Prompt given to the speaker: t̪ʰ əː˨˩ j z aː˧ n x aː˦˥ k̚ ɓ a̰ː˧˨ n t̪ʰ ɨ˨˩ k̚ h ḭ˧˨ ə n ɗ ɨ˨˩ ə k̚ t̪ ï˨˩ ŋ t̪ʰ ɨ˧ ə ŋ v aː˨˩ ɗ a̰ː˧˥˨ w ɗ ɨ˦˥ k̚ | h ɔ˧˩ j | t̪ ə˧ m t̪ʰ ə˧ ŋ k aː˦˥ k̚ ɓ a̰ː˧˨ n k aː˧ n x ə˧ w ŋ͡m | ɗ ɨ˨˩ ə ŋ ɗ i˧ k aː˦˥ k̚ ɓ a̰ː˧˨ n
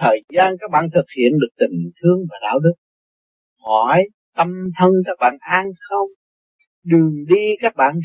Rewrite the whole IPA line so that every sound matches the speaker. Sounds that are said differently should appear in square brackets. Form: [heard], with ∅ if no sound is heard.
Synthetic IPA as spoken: t̪ʰ əː˨˩ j z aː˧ n [k] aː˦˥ k̚ ɓ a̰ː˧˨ n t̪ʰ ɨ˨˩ k̚ h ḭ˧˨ ə n ɗ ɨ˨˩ ə k̚ t̪ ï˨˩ ŋ t̪ʰ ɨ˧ ə ŋ v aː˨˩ ɗ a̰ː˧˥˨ w ɗ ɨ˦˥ k̚ | h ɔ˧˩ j | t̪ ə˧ m t̪ʰ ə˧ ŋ k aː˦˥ k̚ ɓ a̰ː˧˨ n [ʔ] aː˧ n x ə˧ w ŋ͡m | ɗ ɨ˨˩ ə ŋ ɗ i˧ k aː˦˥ k̚ ɓ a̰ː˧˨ n